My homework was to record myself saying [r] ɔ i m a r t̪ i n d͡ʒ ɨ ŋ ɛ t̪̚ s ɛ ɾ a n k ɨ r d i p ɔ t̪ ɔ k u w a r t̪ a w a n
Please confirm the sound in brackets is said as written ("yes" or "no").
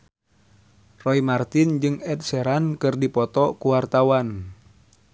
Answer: yes